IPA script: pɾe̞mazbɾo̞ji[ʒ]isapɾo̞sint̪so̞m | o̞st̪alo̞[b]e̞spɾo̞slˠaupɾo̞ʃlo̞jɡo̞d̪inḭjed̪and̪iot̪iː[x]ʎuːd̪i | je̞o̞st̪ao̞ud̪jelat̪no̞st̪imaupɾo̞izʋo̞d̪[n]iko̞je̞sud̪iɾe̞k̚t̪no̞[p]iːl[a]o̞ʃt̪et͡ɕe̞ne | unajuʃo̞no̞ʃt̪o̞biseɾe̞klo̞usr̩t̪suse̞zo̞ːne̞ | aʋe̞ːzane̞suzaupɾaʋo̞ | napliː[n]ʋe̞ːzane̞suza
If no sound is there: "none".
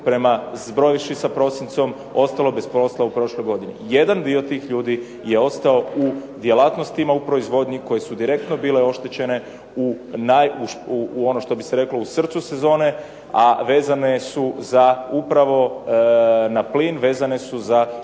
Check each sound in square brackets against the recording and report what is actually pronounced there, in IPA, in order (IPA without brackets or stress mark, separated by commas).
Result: ʃ, b, x, ɲ, b, e, n